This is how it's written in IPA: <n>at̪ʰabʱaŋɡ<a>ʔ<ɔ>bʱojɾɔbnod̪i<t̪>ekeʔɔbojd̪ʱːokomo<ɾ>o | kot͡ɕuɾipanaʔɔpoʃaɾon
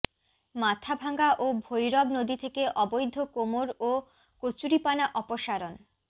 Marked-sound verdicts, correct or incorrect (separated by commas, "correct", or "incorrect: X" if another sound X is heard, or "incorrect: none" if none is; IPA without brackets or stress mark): incorrect: m, correct, incorrect: o, incorrect: t̪ʰ, correct